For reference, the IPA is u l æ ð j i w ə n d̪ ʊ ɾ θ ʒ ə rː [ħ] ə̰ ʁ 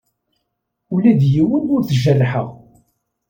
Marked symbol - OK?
yes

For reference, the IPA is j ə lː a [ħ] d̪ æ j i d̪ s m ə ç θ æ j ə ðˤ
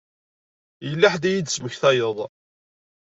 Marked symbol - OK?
yes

